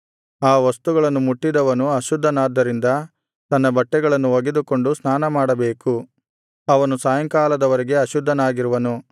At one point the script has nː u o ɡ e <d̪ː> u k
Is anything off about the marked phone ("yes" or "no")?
yes